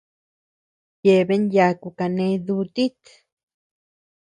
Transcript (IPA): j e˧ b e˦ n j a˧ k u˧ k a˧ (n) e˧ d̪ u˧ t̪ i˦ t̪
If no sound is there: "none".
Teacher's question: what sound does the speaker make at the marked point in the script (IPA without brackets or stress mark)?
n